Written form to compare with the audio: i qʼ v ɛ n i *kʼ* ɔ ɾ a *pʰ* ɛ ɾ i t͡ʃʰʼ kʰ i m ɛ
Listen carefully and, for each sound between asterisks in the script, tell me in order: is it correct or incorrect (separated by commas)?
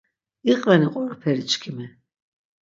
incorrect, correct